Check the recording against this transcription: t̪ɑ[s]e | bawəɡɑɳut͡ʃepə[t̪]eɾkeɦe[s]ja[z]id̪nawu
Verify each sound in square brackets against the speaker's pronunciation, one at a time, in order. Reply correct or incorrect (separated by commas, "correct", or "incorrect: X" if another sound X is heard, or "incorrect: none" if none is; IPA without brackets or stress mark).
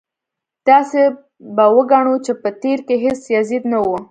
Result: correct, correct, correct, correct